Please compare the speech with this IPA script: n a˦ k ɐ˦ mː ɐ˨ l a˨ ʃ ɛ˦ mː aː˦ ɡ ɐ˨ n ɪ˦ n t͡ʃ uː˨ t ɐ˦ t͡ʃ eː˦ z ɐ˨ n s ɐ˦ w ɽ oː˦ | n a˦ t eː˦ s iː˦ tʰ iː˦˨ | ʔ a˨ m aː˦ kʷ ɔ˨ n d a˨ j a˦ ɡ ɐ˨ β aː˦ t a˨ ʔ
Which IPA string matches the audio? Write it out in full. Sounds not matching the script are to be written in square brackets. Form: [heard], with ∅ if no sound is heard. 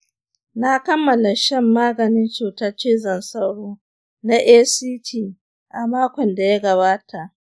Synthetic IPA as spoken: n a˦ k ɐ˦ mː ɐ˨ l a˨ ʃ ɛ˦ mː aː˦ ɡ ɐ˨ n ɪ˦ n t͡ʃ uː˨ t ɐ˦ t͡ʃ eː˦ z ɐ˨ n s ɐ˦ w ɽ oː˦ | n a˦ [ʔ] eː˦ s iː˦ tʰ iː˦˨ | ʔ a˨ m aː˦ kʷ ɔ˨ n d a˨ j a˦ ɡ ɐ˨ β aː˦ t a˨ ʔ